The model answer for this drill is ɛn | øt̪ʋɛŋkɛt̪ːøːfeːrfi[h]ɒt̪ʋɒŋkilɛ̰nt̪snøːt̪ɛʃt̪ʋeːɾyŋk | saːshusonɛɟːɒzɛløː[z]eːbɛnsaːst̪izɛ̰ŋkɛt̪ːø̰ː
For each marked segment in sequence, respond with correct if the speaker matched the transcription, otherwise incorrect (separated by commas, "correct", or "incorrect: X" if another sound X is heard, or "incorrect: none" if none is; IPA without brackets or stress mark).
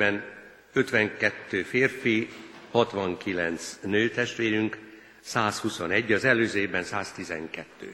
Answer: correct, correct